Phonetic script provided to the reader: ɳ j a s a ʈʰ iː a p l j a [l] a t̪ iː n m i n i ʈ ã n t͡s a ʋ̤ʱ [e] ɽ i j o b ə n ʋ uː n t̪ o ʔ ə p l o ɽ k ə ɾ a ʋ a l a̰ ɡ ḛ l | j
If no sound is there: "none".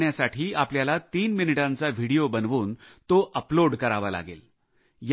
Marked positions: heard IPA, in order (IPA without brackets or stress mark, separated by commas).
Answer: l, i